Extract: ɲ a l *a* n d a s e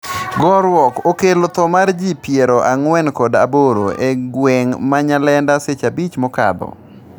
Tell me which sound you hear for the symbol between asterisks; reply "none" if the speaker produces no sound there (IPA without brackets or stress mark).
ɛ